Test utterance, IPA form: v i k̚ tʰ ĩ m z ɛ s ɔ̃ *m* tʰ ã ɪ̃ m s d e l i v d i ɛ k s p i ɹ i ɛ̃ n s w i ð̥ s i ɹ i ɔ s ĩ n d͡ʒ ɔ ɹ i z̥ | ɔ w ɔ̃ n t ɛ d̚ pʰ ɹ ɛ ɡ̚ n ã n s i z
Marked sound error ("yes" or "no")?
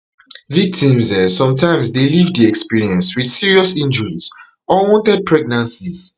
no